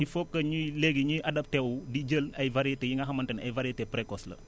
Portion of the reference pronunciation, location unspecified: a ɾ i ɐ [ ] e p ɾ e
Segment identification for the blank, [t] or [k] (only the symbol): t